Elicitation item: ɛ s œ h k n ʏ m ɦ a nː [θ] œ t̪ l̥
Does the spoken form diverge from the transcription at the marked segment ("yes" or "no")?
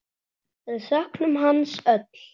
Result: yes